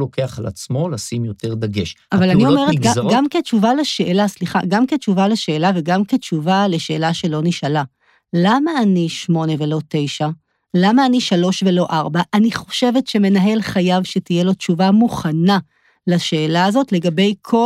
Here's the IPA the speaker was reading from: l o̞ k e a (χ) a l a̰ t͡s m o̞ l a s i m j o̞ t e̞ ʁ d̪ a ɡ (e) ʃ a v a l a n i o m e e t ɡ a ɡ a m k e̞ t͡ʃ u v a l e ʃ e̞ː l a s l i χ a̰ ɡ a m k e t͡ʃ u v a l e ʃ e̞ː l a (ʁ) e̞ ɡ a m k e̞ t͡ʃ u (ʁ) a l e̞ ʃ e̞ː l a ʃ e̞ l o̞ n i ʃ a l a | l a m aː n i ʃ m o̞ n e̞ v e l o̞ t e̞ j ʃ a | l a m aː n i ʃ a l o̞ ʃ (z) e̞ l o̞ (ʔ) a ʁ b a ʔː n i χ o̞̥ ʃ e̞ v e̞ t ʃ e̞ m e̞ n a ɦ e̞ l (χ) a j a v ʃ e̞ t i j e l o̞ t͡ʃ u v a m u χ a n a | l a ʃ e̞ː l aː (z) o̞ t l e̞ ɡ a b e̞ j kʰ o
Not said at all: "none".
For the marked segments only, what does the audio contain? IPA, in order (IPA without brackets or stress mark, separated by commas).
χ, e, v, v, v, ʔ, χ, z